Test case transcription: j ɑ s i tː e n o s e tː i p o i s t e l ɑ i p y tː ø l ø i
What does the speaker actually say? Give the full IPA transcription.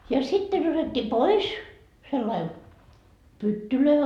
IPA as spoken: j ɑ s i tː e n o t e tː i p o i s s e lː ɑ i p y tː y l ø i